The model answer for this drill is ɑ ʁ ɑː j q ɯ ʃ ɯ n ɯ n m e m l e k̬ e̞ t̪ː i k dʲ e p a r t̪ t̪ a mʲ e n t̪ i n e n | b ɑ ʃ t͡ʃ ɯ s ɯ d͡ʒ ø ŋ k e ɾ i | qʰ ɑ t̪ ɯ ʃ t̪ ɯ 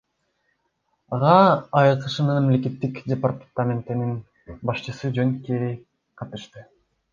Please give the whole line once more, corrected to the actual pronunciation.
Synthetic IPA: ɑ ʁ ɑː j q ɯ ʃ ɯ n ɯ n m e m l e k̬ e̞ t̪ː i k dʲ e p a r t̪ t̪ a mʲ e n t̪ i n i n | b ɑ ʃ t͡ʃ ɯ s ɯ d͡ʒ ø ŋ k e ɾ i | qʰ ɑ t̪ ɯ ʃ t̪ ɯ